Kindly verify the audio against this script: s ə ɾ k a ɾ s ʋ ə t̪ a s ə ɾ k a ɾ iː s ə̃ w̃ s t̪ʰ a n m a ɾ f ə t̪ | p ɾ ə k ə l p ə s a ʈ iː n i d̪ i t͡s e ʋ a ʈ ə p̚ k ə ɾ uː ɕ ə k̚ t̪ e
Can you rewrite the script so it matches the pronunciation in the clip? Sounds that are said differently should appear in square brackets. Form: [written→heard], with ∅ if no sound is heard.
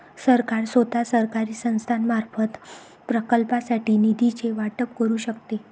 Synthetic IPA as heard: s ə ɾ k a ɾ s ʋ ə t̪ a s ə ɾ k a ɾ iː s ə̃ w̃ s t̪ʰ a n m a ɾ f ə t̪ | p ɾ ə k ə l p [ə→a] s a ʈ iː n i d̪ i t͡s e ʋ a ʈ ə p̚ k ə ɾ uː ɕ ə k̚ t̪ e